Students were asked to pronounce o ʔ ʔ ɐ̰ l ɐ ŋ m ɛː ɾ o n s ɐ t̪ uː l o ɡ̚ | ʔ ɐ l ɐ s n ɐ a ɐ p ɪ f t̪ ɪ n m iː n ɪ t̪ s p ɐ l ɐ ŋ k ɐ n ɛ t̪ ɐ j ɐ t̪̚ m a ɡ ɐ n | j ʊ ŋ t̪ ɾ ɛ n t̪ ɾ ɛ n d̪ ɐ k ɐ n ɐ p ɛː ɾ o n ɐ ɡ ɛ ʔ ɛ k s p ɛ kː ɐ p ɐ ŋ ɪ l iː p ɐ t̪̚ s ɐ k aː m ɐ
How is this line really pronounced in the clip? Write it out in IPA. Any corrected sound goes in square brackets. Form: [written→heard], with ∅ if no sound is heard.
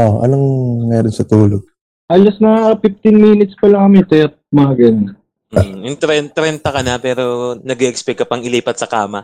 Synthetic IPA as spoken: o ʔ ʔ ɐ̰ l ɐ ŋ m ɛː ɾ o n s ɐ t̪ uː l o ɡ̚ | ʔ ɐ l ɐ s n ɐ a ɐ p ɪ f t̪ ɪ n m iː n ɪ t̪ s p ɐ l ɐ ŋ k ɐ [n→m] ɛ t̪ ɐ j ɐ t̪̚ m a ɡ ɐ n | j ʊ ŋ t̪ ɾ ɛ n t̪ ɾ ɛ n [d̪→t̪] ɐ k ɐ n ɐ p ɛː ɾ o n ɐ ɡ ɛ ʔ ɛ k s p ɛ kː ɐ p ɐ ŋ ɪ l iː p ɐ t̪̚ s ɐ k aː m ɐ